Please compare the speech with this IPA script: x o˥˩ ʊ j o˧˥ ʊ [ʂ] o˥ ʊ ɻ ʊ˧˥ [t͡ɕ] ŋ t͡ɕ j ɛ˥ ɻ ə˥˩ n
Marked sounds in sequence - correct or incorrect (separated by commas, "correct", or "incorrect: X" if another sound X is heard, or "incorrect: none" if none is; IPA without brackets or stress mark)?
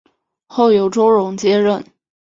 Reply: incorrect: ʈ͡ʂ, incorrect: none